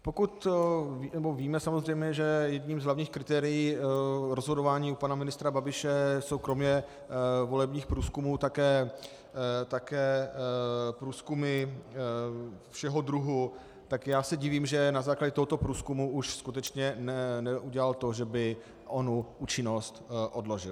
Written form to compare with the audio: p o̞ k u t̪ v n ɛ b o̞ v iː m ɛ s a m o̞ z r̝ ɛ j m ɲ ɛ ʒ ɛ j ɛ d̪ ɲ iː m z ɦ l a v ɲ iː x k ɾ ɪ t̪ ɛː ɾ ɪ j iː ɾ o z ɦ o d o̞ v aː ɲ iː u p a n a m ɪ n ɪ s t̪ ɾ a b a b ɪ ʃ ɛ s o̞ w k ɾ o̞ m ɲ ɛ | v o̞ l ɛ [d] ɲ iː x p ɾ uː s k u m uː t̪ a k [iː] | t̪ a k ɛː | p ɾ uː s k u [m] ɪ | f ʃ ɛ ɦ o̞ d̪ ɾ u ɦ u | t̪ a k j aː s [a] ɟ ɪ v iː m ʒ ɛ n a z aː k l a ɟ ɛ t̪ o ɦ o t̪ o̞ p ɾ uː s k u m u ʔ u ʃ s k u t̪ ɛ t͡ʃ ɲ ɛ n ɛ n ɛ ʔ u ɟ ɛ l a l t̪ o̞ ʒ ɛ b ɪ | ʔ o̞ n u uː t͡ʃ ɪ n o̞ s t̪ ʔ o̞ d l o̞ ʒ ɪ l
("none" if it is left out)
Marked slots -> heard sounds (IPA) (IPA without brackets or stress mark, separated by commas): b, ɛː, m, ɛ